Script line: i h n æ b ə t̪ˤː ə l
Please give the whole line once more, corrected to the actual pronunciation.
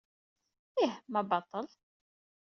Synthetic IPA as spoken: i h m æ b ɑ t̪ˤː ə l